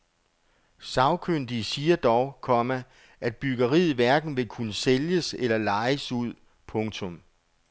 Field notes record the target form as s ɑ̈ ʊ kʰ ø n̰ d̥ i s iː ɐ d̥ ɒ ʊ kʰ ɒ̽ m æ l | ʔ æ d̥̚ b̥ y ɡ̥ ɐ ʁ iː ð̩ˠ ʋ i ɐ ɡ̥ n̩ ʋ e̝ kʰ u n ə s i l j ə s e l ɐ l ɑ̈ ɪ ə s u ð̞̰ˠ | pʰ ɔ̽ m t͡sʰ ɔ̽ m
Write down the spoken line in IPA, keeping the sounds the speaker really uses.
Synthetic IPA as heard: s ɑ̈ ʊ kʰ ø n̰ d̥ i s iː ɐ d̥ ɒ ʊ kʰ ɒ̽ m æ | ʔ æ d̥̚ b̥ y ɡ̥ ɐ ʁ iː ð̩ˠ ʋ æ ɐ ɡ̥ n̩ ʋ e̝ kʰ u n ə s e l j ə s e l ɐ l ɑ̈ ɪ ə s u ð̞̰ˠ | pʰ ɔ̽ ŋ t͡sʰ ɔ̽ m